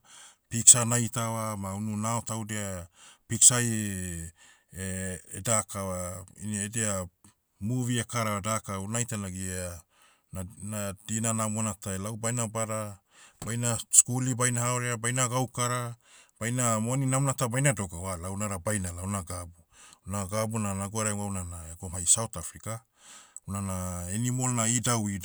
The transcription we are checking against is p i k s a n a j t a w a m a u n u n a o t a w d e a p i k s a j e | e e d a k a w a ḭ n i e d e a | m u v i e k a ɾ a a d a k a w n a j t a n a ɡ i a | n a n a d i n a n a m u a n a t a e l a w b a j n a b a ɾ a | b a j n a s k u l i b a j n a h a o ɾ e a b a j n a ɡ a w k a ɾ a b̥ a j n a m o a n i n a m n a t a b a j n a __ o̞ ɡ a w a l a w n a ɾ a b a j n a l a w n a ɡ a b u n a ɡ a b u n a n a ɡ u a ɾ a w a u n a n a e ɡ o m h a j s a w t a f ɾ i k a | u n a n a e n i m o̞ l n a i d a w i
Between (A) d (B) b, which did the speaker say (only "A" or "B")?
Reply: A